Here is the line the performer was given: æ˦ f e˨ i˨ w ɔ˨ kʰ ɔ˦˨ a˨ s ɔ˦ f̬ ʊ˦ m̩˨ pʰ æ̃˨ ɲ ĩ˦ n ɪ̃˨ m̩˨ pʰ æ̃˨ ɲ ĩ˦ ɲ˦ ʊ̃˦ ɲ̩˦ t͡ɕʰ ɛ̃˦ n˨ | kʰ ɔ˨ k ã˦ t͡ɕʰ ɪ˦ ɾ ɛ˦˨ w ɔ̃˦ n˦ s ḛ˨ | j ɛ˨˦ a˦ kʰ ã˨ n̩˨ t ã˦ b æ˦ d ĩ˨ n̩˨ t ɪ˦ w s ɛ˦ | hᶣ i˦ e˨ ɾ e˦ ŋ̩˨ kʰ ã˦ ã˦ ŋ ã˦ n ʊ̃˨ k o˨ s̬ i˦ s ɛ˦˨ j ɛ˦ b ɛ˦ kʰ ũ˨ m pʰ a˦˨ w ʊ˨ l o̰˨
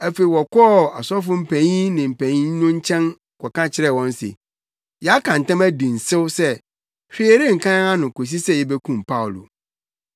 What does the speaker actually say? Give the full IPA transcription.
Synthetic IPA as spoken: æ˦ f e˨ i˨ w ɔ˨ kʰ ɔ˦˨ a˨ s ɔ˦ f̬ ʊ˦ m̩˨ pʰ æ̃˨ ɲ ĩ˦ n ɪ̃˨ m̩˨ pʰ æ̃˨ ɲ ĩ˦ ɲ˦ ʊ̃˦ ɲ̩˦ t͡ɕʰ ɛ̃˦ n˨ | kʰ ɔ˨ k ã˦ t͡ɕʰ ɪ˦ ɾ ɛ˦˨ w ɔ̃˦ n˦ s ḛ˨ | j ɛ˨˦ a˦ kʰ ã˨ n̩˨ t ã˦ m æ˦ d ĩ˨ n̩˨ s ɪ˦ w s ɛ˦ | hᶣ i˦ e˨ ɾ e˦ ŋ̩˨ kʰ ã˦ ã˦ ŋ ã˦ n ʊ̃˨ k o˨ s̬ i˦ s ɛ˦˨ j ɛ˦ b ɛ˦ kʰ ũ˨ m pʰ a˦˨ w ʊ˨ l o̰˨